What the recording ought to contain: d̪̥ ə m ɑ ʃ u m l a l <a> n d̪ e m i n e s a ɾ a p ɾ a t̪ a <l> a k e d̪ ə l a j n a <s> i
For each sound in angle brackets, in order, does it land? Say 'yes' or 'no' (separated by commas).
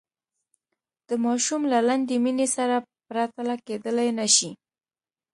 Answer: yes, yes, no